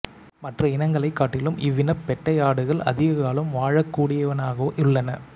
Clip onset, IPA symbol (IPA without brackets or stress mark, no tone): m